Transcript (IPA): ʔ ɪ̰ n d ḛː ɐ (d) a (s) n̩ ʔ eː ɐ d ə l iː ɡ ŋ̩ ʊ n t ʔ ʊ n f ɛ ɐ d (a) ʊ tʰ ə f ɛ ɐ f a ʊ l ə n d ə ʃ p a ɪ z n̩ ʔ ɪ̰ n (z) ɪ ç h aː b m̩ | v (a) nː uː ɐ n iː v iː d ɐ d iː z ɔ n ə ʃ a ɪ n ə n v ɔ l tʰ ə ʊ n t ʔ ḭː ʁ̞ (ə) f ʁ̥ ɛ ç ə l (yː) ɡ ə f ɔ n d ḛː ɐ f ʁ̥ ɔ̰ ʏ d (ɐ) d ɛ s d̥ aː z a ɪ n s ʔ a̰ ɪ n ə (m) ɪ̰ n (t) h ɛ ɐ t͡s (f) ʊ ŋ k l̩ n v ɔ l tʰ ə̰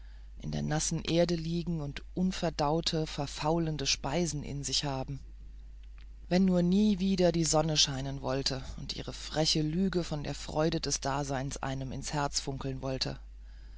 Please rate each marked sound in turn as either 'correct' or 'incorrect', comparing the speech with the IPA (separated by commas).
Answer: incorrect, correct, correct, correct, incorrect, correct, correct, incorrect, correct, incorrect, correct